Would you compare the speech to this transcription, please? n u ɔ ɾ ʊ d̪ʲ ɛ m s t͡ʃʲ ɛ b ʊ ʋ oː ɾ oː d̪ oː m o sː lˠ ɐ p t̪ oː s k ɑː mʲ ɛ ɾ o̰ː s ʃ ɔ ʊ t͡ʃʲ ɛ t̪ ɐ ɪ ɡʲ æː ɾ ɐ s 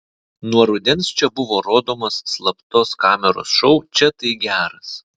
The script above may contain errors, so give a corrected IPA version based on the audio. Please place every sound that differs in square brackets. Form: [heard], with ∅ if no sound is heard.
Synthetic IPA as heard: n u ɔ ɾ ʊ d̪ʲ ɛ [n] s t͡ʃʲ ɛ b ʊ ʋ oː ɾ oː d̪ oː m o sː lˠ ɐ p t̪ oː s k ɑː mʲ ɛ ɾ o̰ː s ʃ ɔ ʊ t͡ʃʲ ɛ t̪ ɐ ɪ ɡʲ æː ɾ ɐ s